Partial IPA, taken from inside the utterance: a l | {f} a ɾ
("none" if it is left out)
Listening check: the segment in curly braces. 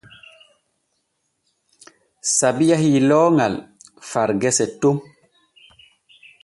f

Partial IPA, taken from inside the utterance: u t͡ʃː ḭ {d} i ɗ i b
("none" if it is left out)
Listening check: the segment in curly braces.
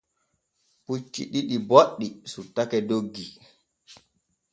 ɗ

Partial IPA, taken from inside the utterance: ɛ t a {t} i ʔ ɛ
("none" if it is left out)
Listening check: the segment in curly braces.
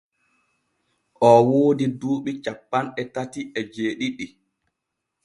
t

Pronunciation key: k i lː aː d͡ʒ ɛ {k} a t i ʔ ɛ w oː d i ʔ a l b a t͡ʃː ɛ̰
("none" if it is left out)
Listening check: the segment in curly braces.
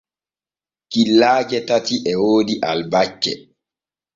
t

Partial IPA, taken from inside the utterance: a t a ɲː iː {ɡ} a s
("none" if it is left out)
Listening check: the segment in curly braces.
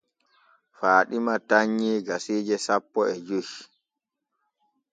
ɡ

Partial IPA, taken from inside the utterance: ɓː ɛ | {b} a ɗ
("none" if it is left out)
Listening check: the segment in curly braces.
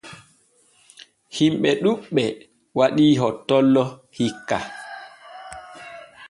w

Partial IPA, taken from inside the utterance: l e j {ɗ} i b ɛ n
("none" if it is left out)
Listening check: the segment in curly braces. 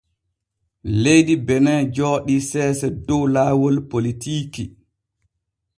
d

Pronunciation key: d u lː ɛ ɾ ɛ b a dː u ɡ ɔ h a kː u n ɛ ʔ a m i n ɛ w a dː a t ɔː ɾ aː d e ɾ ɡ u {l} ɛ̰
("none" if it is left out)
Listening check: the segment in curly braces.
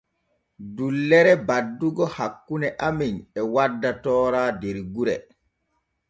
ɾ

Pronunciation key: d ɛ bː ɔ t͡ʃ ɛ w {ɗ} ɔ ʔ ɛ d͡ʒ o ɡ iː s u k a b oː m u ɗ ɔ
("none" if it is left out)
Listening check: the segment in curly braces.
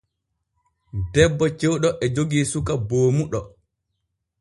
ɗ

